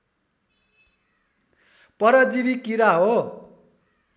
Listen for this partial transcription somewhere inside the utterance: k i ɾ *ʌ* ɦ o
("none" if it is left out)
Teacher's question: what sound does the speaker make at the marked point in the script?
a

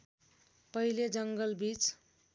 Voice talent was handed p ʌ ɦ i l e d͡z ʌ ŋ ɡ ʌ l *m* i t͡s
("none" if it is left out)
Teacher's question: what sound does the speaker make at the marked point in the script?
b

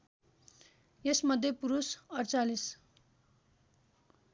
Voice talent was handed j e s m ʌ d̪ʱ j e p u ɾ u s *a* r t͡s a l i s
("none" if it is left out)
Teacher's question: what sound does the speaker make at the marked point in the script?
ʌ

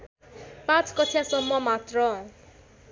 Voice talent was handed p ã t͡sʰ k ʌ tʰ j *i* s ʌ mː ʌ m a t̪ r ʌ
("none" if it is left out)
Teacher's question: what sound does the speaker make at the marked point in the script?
a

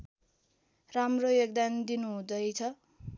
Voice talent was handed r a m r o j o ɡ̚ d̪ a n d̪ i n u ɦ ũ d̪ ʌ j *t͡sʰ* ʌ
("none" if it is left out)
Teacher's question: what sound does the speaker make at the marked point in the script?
t͡sʰ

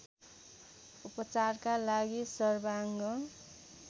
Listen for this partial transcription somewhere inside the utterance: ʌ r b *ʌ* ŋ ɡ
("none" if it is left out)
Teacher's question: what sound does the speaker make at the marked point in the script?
a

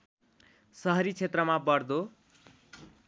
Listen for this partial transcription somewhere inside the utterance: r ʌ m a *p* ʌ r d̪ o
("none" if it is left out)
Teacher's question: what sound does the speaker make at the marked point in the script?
b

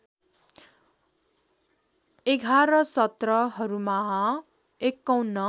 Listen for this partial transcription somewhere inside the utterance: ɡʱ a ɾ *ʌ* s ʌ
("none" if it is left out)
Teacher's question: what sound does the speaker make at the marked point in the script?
ʌ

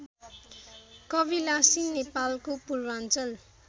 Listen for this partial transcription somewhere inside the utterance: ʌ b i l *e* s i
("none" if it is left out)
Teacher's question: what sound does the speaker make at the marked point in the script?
a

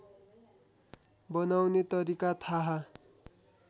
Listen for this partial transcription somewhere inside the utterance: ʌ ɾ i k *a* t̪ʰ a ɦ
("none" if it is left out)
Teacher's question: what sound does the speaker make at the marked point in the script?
a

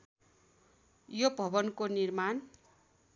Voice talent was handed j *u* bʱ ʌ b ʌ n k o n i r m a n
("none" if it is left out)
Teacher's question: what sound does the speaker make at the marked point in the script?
o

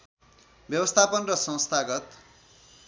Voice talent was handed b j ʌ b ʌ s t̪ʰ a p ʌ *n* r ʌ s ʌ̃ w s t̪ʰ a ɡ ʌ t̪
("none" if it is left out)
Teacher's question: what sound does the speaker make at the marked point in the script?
n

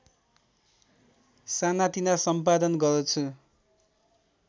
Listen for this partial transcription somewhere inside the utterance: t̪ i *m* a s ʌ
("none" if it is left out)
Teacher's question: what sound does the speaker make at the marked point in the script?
n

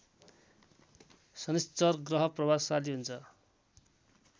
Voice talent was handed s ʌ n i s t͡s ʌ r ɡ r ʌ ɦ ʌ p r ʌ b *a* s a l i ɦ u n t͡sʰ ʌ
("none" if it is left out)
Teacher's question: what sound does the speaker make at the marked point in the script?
a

